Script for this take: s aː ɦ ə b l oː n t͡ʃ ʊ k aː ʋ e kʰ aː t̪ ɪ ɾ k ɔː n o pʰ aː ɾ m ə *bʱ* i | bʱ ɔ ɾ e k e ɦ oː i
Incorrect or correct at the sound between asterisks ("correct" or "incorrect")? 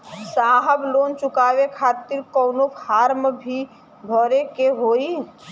correct